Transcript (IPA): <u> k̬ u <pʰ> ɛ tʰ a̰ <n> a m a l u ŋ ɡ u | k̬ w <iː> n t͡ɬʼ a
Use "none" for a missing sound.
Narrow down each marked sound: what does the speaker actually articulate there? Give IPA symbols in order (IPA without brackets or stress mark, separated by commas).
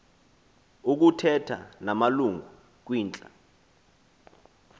u, tʰ, n, iː